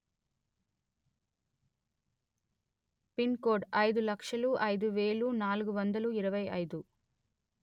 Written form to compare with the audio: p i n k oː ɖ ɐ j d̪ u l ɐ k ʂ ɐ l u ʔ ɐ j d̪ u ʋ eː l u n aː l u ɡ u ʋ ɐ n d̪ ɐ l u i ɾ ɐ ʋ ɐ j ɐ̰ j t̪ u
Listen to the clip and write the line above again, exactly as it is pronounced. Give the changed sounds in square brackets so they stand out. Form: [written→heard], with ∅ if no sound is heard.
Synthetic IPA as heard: p i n k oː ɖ ɐ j d̪ u l ɐ k ʂ ɐ l u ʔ ɐ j d̪ u ʋ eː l u n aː l u ɡ u ʋ ɐ n d̪ ɐ l u i ɾ ɐ ʋ ɐ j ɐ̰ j [t̪→d̪] u